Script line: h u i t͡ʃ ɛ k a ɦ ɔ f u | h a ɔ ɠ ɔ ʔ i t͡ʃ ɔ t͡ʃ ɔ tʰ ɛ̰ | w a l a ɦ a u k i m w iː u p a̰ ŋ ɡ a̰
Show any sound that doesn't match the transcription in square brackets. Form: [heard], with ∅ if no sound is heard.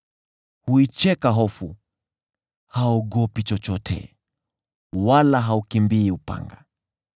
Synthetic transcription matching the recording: h u i t͡ʃ ɛ k a ɦ ɔ f u | h a ɔ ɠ ɔ [p] i t͡ʃ ɔ t͡ʃ ɔ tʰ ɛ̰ | w a l a ɦ a u k i m [b] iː u p a̰ ŋ ɡ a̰